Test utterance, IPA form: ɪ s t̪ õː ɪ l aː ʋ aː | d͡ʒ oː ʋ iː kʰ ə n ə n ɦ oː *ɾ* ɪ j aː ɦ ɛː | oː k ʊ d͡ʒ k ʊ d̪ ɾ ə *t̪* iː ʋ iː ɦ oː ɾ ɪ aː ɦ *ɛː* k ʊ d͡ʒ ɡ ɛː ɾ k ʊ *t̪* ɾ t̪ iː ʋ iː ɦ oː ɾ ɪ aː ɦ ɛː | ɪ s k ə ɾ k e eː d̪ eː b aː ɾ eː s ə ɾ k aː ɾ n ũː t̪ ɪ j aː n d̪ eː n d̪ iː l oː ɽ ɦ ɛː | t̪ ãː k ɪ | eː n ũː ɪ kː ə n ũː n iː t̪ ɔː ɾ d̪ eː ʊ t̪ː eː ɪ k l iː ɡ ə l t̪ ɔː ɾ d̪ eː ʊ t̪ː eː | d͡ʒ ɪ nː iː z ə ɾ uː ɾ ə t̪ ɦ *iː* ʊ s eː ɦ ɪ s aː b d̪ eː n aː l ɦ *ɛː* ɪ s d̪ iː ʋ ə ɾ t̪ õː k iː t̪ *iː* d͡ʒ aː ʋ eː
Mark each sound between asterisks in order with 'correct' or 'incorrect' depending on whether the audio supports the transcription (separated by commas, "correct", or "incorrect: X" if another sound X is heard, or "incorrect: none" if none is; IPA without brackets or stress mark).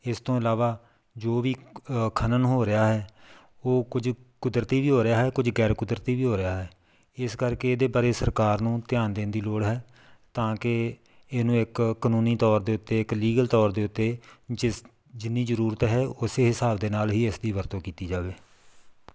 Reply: correct, correct, correct, incorrect: d̪, incorrect: ɛː, incorrect: iː, correct